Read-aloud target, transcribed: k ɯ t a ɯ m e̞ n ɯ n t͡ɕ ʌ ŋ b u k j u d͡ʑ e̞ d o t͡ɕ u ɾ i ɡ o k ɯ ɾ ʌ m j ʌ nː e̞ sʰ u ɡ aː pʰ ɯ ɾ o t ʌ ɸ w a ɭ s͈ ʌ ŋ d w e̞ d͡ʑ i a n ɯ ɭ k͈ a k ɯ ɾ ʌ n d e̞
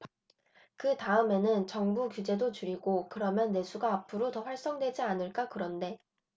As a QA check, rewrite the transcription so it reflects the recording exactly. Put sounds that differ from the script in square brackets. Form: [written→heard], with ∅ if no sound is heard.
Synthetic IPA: k ɯ t a ɯ m e̞ n ɯ n t͡ɕ ʌ ŋ b u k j u d͡ʑ e̞ d o t͡ɕ u ɾ i ɡ o k ɯ ɾ ʌ m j ʌ nː e̞ sʰ u ɡ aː pʰ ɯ ɾ o t ʌ ɸ w a ɭ s͈ ʌ ŋ d w e̞ d͡ʑ i a n ɯ ɭ k͈ a k ɯ ɾ ʌ n d e̞